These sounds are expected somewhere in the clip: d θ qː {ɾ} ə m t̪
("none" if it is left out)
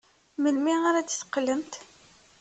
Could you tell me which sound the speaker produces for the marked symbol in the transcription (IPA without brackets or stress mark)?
l